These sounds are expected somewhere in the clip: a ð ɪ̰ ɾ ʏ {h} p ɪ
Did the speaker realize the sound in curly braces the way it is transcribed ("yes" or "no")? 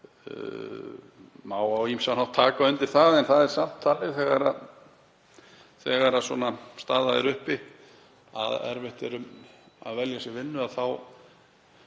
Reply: yes